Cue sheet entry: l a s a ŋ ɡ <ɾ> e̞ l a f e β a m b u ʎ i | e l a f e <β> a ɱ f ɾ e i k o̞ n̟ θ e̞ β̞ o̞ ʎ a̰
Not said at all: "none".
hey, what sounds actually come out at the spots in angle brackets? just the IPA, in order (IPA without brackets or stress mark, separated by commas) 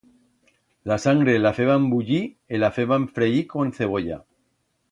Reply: ɾ, β